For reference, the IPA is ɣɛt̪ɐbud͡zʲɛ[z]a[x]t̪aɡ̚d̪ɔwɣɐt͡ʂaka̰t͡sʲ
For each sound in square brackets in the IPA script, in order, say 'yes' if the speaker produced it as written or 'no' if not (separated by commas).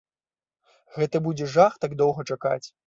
no, yes